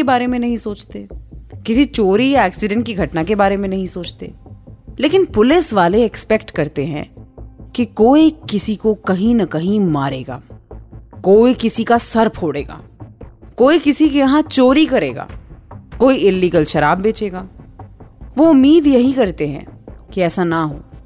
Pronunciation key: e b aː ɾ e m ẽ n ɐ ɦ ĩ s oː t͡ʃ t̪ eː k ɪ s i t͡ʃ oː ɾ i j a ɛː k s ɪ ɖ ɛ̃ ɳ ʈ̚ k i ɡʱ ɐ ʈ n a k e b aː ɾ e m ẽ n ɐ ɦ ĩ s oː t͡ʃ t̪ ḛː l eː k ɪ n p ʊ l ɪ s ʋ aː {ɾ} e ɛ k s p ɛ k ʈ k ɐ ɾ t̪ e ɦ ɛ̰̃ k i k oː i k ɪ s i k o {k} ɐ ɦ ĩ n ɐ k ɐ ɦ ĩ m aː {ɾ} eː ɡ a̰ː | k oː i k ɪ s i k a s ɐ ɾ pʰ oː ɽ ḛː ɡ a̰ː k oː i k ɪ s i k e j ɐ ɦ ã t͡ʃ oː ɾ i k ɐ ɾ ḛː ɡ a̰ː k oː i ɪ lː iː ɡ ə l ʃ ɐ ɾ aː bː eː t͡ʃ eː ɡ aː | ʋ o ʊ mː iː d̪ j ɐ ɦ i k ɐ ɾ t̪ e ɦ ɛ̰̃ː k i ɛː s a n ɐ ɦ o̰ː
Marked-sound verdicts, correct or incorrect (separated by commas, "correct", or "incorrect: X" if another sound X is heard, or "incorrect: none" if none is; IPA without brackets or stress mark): incorrect: l, correct, correct